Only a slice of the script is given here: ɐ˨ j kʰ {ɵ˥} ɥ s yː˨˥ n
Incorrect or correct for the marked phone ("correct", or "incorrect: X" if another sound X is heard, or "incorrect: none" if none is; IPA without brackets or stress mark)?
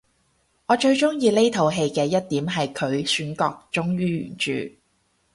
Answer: incorrect: ɵ˨˧